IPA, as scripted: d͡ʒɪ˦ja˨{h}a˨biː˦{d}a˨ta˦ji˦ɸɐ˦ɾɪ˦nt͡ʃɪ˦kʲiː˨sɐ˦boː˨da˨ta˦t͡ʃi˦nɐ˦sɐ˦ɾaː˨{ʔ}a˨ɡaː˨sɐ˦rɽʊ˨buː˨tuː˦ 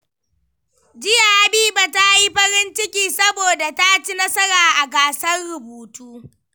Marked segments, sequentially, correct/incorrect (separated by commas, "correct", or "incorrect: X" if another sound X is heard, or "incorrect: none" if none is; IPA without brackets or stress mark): correct, incorrect: b, correct